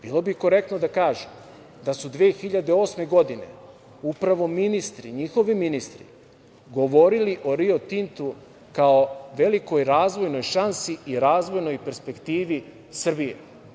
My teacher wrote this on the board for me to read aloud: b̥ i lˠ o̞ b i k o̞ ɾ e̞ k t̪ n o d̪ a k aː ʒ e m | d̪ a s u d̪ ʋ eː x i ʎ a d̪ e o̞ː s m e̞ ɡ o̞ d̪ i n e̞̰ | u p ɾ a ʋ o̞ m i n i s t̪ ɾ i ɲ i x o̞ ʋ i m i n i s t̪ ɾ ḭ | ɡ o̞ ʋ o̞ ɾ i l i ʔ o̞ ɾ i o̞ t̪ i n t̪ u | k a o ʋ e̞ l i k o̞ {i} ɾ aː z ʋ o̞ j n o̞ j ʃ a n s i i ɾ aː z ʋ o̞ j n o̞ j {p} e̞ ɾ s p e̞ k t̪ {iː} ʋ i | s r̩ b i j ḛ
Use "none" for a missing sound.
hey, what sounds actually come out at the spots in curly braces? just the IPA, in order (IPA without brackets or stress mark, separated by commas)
j, p, iː